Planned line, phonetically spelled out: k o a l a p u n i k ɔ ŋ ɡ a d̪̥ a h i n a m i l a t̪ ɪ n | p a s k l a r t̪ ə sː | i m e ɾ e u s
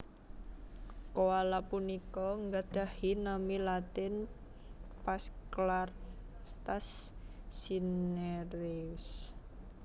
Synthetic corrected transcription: k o a l a p u n i k ɔ ŋ ɡ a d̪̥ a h i n a m i l a t̪ ɪ n | p a s k l a r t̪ a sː | i n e ɾ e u s